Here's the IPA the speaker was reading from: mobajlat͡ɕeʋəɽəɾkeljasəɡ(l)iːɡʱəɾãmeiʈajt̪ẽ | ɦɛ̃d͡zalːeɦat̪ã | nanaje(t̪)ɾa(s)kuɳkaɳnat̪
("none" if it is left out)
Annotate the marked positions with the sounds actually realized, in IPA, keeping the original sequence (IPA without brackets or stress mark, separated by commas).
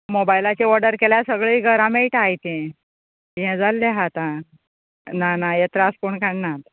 ɭ, t̪, s